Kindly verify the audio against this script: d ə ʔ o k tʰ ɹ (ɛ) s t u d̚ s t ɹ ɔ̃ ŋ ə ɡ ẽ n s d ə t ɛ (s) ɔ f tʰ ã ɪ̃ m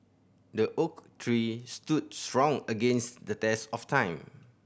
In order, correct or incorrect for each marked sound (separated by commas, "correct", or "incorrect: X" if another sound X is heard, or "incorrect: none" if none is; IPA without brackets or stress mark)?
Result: incorrect: i, correct